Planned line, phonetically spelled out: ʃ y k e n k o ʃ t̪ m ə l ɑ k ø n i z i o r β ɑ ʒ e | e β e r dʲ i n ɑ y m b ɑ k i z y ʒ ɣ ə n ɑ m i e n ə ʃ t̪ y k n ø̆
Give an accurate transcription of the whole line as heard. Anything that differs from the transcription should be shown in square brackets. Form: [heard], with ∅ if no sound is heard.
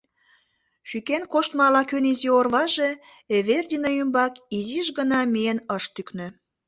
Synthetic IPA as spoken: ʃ y k e n k o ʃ t̪ m [ɑ] l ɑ k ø n i z i o r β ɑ ʒ e | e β e r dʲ i n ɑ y m b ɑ k i z [i] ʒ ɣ ə n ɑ m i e n ə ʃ t̪ y k n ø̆